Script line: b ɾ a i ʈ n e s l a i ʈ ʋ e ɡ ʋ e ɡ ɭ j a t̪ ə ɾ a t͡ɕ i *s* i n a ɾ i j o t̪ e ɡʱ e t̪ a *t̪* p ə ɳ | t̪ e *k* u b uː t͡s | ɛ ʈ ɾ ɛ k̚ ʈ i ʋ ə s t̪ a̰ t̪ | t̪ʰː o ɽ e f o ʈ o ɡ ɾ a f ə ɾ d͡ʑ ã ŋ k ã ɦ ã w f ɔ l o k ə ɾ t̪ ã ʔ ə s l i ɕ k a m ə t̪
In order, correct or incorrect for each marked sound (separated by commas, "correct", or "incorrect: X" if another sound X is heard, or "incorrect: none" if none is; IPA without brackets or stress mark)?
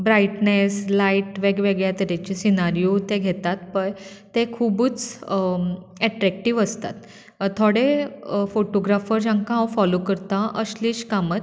correct, correct, incorrect: kʰ